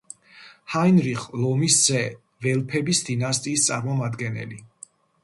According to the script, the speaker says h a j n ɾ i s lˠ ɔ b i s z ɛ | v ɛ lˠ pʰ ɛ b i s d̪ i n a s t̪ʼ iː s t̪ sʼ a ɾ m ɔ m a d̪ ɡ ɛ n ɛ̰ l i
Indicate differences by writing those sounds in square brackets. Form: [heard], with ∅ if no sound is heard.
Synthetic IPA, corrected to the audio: h a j n ɾ i [χ] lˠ ɔ [m] i s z ɛ | v ɛ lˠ pʰ ɛ b i s d̪ i n a s t̪ʼ iː s t̪ sʼ a ɾ m ɔ m a d̪ ɡ ɛ n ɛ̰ l i